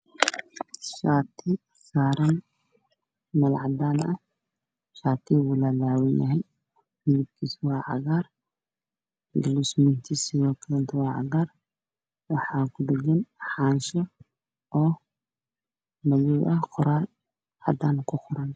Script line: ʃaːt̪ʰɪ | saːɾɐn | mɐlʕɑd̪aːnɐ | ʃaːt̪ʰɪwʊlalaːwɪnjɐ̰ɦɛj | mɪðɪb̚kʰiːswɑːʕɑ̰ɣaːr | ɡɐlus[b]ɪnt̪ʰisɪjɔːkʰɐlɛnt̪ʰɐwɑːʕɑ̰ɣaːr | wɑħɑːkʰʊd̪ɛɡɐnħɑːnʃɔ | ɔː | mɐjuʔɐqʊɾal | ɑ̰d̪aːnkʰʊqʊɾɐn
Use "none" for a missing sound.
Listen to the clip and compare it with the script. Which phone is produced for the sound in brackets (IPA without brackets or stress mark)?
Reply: m